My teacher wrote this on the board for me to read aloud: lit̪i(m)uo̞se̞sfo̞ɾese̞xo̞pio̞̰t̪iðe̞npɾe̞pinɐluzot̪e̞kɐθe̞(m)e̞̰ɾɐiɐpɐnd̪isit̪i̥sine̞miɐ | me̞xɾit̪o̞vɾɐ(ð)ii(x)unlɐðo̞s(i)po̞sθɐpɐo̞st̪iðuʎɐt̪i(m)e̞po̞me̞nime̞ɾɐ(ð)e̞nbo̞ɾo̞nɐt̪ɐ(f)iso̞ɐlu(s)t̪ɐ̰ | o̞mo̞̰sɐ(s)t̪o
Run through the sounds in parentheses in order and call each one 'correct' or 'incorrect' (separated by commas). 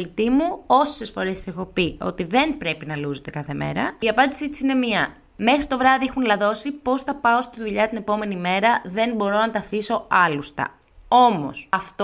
correct, correct, correct, correct, correct, incorrect, correct, correct, correct, incorrect